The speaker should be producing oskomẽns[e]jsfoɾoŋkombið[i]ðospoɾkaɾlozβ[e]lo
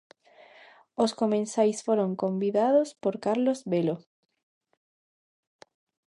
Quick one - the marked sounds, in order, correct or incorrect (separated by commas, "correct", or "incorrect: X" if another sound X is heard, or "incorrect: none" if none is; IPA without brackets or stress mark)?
incorrect: a, incorrect: a, correct